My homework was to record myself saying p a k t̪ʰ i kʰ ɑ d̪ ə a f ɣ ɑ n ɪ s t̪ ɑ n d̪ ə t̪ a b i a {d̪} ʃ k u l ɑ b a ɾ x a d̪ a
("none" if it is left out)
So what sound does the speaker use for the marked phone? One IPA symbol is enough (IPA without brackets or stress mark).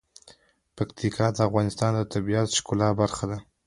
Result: t̪